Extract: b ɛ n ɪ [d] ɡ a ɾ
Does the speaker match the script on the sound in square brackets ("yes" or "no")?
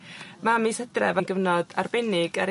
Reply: no